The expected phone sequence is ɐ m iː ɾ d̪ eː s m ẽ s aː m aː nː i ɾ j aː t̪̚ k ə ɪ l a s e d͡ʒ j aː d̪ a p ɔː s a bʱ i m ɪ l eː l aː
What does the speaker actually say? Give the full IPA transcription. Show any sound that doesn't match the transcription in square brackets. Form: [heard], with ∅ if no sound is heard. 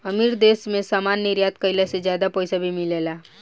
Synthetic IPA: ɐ m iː ɾ d̪ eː s m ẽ s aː m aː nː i ɾ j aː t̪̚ k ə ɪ l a s e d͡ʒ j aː d̪ a p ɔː s a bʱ i m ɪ l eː l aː